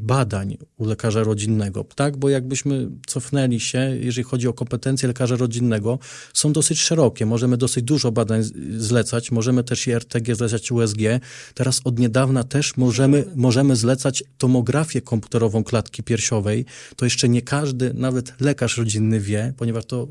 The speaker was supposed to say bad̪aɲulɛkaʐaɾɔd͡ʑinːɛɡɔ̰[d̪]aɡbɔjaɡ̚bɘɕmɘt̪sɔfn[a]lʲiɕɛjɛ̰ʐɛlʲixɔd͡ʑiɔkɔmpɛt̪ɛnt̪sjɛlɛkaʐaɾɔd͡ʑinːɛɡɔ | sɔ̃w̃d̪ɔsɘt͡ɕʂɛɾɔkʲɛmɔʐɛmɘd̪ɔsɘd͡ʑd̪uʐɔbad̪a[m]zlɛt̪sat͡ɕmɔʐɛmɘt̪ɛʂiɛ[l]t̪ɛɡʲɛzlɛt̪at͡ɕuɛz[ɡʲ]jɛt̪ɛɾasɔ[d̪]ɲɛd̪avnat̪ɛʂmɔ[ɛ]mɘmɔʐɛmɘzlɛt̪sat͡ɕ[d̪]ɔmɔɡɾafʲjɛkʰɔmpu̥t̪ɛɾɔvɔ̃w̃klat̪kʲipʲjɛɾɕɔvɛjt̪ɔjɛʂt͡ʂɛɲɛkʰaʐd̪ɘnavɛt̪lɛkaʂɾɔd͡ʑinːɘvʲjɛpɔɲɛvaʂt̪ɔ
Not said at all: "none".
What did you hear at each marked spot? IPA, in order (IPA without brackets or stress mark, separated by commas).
t̪, ɛ, ɲ, ɾ, ɡʲ, d̪, ɛ, t̪